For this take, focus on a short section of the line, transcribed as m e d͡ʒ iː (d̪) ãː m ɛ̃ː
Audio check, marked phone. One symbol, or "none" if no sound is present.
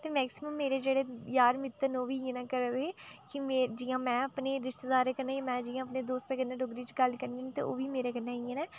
none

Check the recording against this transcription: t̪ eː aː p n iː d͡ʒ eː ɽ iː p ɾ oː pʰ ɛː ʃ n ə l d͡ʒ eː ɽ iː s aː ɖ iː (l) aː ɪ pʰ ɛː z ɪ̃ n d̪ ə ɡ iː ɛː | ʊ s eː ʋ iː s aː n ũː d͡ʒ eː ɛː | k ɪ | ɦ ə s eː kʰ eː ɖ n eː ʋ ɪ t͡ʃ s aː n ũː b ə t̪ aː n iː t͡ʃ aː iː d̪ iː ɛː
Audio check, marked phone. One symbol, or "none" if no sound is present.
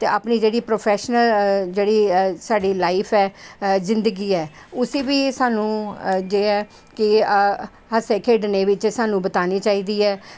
l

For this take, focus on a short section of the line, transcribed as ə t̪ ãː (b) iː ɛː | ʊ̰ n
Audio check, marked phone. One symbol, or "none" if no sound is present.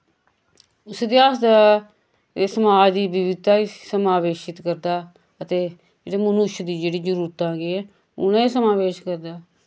ɡ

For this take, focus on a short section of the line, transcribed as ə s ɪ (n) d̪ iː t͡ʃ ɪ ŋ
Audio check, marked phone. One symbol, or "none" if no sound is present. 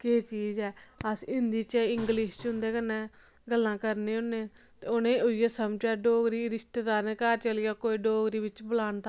n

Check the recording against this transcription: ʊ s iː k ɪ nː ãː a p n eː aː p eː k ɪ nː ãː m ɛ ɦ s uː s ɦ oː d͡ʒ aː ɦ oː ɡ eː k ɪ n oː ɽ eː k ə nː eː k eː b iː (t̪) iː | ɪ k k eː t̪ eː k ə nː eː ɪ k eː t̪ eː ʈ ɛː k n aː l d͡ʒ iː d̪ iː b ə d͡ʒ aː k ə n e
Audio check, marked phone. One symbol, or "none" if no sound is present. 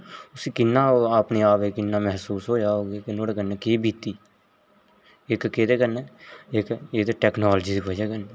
t̪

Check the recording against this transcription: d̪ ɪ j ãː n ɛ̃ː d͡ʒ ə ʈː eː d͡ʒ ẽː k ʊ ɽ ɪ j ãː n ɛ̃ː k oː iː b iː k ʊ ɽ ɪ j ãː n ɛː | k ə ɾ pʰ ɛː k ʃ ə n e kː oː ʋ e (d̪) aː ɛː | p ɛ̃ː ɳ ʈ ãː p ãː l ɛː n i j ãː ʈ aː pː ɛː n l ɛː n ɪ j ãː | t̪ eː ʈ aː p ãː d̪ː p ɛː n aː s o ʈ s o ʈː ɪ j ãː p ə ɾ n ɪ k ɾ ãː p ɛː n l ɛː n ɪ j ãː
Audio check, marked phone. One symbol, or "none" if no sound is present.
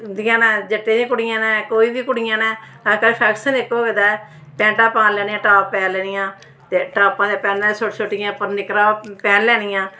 d̪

